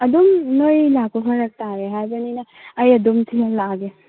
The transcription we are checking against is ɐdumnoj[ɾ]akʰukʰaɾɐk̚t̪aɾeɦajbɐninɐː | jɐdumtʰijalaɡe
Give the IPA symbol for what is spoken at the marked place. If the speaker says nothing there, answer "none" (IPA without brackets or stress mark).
l